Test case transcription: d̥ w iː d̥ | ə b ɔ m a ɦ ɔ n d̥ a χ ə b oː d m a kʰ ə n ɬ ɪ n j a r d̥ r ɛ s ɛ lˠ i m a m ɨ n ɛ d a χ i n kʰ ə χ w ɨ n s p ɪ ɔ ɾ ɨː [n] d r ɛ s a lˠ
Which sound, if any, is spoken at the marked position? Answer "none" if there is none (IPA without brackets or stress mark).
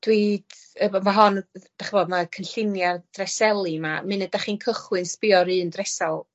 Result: n